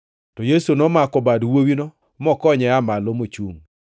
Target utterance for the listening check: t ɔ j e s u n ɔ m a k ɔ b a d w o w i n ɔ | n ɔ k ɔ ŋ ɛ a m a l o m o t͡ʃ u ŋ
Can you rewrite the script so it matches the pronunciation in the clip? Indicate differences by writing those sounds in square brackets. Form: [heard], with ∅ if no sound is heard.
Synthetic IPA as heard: t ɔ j e s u n ɔ m a k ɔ b a d w o w i n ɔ | [m] ɔ k ɔ [ɲ] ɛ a m a l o m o t͡ʃ u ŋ